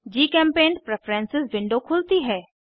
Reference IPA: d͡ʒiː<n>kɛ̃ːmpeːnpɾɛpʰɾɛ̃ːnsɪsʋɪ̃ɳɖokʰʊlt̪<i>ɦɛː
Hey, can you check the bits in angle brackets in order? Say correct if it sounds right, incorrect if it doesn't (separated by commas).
incorrect, correct